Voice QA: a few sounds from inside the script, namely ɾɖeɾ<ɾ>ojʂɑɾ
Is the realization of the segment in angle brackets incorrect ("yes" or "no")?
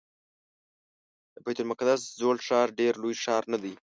yes